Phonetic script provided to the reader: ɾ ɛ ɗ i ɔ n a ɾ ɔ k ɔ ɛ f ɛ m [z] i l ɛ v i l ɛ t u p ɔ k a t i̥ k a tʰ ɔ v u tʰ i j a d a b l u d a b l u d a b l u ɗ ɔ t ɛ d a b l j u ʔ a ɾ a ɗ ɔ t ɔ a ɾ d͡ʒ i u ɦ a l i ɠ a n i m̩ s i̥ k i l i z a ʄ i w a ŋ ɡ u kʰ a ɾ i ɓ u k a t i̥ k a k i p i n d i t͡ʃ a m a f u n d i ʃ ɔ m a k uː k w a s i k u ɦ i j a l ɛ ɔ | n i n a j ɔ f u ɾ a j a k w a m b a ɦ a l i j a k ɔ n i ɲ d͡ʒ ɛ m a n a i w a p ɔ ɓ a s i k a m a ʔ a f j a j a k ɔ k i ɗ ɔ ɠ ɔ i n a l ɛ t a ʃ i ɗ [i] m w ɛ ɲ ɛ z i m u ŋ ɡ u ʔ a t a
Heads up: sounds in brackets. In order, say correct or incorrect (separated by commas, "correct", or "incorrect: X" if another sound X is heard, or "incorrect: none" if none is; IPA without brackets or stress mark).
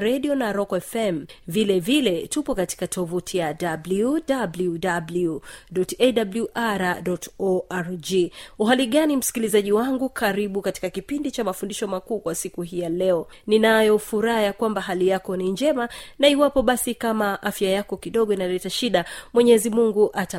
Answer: incorrect: v, incorrect: a